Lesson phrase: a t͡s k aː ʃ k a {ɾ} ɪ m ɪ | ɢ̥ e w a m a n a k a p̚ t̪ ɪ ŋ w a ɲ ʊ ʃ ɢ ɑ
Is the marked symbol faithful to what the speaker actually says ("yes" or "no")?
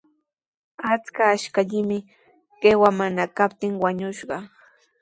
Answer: no